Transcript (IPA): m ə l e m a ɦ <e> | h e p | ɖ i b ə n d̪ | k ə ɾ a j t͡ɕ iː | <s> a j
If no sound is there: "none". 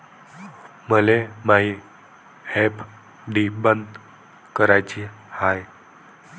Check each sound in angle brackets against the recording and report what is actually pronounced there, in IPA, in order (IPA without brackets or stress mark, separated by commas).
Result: i, h